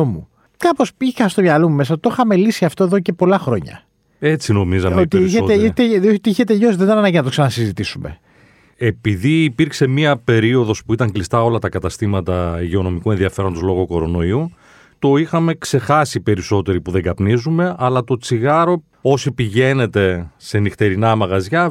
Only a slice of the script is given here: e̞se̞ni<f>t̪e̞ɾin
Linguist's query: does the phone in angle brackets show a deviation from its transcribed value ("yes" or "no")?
yes